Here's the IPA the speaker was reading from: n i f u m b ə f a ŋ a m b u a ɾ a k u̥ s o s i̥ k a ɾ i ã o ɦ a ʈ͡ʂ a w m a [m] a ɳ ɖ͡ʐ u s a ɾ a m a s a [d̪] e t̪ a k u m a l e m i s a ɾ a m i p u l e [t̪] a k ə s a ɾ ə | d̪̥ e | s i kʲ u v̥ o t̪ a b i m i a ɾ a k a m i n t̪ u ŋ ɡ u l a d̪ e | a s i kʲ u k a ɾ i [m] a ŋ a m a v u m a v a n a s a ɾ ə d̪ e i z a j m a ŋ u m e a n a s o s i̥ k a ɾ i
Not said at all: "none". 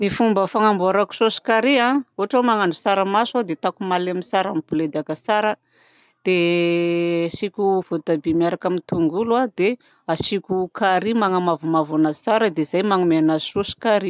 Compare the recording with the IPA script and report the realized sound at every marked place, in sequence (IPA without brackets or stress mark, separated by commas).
ŋ, d̪, d̪, m